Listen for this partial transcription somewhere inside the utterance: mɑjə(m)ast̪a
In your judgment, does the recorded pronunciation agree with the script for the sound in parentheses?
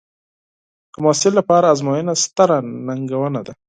no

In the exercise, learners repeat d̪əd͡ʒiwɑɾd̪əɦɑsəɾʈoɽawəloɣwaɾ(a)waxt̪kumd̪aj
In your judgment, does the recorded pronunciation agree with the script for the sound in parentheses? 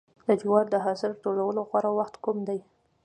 yes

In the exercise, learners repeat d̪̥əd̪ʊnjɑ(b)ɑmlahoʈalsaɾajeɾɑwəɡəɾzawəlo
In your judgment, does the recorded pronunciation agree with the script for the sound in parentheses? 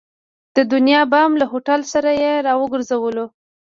yes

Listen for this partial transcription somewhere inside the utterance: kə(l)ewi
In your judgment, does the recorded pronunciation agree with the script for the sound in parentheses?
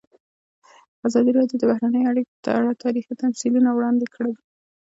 no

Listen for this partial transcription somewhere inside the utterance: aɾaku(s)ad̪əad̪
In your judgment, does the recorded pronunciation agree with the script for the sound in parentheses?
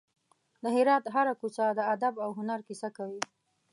yes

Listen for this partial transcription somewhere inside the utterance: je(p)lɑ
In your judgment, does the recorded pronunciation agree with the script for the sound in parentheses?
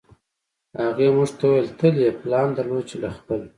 yes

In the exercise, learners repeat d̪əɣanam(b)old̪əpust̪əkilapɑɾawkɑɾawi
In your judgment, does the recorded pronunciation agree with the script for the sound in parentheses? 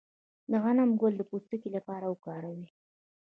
no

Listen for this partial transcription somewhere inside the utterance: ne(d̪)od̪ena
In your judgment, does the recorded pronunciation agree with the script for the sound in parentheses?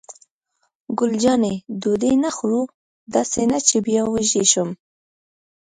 yes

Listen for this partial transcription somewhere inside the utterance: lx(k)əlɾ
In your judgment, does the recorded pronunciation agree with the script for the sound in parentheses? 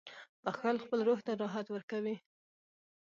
no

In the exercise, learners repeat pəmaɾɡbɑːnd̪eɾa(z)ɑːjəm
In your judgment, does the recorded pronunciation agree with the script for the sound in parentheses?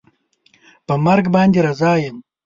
yes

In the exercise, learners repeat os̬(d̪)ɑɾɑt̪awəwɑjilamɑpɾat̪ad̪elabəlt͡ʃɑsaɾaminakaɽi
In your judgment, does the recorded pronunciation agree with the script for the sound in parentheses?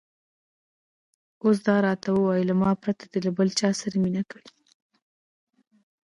yes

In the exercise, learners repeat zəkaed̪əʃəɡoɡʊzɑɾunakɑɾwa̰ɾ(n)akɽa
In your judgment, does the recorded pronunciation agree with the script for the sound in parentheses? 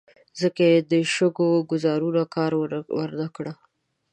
yes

